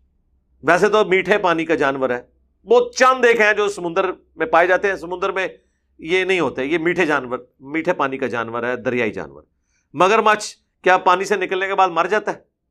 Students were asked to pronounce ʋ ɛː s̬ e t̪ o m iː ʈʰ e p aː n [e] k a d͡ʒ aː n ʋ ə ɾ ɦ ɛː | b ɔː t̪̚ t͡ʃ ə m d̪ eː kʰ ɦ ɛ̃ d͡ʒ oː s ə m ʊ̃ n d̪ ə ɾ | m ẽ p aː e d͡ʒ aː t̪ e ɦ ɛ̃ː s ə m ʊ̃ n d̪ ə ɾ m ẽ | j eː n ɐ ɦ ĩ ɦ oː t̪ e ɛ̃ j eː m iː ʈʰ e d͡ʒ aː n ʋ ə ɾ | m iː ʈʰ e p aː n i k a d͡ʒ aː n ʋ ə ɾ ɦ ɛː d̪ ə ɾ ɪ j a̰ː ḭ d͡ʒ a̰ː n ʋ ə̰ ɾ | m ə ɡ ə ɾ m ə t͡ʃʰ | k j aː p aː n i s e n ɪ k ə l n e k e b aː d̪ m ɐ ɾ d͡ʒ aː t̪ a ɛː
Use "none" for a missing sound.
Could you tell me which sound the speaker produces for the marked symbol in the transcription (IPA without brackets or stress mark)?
i